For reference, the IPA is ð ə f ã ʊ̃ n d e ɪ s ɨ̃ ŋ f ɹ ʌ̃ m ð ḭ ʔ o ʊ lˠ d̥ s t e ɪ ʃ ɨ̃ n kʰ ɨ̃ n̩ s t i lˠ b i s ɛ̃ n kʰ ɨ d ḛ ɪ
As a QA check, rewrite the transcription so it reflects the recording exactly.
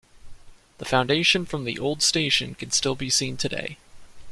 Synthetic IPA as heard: ð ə f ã ʊ̃ n d e ɪ ʃ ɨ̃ n f ɹ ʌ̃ m ð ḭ ʔ o ʊ lˠ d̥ s t e ɪ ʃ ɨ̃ n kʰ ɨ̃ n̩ s t ɪ lˠ b i s ĩ n tʰ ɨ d ḛ ɪ